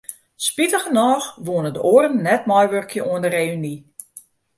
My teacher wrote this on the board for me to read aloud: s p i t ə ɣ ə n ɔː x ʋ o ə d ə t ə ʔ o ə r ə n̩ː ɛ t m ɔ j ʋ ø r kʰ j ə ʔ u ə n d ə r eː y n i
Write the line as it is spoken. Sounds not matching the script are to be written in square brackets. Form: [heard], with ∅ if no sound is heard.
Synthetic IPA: s p i t ə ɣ ə n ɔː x ʋ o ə [n] ə [d] ə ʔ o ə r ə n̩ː ɛ t m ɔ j ʋ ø r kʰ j ə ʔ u ə n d ə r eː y n i